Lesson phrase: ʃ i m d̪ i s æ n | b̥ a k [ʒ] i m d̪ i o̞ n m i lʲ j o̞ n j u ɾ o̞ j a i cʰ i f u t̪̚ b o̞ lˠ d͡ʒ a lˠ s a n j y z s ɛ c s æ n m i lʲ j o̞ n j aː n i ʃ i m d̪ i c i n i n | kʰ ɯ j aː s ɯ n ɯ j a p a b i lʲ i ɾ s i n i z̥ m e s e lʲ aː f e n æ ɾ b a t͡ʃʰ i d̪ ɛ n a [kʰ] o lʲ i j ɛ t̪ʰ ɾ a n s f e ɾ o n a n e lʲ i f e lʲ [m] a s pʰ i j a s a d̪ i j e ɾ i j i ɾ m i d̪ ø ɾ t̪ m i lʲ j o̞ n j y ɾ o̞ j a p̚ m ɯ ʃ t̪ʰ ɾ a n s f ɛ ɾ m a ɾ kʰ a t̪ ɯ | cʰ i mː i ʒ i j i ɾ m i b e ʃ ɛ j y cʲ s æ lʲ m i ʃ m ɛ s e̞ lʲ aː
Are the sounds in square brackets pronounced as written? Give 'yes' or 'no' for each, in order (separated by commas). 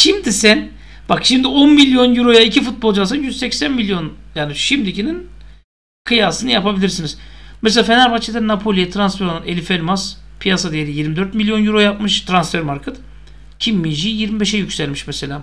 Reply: no, no, yes